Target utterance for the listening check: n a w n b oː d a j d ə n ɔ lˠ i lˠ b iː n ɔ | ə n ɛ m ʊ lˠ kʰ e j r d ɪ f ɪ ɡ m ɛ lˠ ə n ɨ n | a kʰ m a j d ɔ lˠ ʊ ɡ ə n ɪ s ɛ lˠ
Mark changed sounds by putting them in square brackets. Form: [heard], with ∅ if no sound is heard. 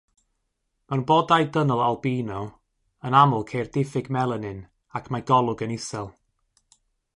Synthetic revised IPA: [m] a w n b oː d a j d ə n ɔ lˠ [a] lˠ b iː n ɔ | ə n [a] m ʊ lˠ kʰ e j r d ɪ f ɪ ɡ m ɛ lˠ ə n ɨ n | a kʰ m a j [ɡ] ɔ lˠ ʊ ɡ ə n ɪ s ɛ lˠ